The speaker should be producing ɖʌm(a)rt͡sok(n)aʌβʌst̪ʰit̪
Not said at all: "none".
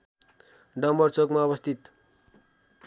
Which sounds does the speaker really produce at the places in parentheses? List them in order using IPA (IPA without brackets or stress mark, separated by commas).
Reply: ʌ, m